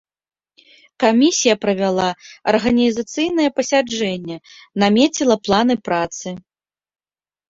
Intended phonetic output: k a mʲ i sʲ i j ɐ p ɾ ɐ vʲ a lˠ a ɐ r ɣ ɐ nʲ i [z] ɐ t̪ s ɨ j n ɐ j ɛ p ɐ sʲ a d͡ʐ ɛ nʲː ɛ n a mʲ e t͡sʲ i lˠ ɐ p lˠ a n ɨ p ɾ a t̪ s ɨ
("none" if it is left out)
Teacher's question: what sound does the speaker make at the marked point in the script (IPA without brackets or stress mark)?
z